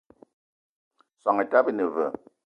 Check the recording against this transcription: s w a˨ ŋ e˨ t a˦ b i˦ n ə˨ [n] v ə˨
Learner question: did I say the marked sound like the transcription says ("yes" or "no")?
no